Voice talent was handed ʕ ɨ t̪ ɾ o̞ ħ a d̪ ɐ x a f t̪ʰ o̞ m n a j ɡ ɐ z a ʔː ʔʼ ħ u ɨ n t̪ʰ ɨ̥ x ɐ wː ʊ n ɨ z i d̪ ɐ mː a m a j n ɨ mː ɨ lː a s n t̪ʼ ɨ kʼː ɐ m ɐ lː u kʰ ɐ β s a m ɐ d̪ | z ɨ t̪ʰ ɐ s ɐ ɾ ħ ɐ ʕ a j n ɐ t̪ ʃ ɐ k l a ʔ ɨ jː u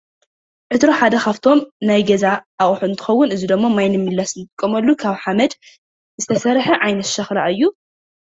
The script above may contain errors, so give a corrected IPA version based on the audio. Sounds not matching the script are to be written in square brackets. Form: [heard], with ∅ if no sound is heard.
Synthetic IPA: ʕ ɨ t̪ ɾ o̞ ħ a d̪ ɐ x a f t̪ʰ o̞ m n a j ɡ ɐ z a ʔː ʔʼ ħ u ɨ n t̪ʰ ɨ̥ x ɐ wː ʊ n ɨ z i d̪ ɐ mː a m a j n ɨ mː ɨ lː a s n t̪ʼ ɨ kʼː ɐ m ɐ lː u kʰ [a] β [ħ] a m ɐ d̪ | z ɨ t̪ʰ ɐ s ɐ ɾ ħ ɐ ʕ a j n ɐ t̪ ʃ ɐ [x] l a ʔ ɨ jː u